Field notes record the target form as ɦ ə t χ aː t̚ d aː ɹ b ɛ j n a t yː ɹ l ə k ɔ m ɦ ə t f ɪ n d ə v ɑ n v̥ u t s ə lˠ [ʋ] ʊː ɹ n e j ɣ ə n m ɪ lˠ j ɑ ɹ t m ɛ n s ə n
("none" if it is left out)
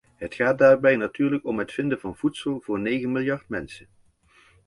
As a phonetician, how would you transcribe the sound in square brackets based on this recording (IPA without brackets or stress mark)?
v